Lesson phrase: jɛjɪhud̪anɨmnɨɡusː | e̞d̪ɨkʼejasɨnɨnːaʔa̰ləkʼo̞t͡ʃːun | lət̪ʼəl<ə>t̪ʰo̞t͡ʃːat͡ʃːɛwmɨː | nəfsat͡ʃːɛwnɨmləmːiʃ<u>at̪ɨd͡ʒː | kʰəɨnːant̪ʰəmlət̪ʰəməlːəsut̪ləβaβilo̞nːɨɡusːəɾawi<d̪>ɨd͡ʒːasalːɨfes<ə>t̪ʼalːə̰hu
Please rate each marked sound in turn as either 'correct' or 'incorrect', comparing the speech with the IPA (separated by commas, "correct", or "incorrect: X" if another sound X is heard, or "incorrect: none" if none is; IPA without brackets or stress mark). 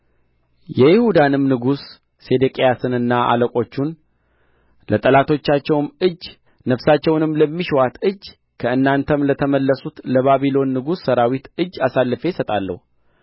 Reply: incorrect: a, incorrect: w, incorrect: t̪, correct